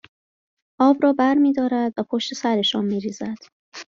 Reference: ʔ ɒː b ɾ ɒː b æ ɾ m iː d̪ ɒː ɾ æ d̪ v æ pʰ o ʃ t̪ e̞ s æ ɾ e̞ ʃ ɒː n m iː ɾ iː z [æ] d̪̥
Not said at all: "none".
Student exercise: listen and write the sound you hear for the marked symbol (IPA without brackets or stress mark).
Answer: æ